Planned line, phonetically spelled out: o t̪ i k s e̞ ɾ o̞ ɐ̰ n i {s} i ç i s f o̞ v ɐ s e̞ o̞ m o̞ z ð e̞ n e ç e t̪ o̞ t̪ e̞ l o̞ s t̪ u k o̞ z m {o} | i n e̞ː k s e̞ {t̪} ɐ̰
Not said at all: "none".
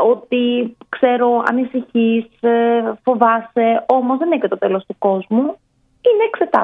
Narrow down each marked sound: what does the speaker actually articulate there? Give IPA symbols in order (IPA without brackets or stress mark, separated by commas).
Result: s, u, t̪